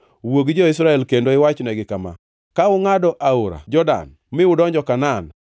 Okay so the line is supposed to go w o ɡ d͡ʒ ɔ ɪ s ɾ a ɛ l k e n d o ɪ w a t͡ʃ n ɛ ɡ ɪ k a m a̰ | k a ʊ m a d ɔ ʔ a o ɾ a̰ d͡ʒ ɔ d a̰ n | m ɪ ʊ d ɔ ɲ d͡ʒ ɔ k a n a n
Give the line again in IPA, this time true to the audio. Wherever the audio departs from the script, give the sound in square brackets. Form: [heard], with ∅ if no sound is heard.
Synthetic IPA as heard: w o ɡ d͡ʒ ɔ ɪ s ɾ a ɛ l k e n d o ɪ w a t͡ʃ n ɛ ɡ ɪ k a m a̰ | k a ʊ [ŋ] a d ɔ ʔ a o ɾ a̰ d͡ʒ ɔ d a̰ n | m ɪ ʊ d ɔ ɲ d͡ʒ ɔ k a n a n